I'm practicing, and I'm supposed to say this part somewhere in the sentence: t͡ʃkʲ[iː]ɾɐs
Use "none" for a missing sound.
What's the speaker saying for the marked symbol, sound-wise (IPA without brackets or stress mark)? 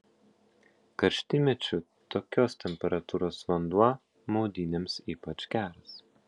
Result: æː